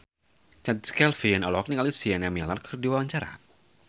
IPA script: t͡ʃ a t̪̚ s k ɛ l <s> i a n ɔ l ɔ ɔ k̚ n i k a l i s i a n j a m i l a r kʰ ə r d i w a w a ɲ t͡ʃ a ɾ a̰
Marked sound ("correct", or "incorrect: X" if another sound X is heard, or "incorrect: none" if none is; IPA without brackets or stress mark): incorrect: f